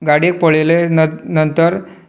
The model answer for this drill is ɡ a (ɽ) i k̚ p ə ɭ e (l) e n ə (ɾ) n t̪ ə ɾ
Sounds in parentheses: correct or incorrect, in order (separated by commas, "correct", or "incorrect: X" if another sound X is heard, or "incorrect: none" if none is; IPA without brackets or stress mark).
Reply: correct, correct, incorrect: none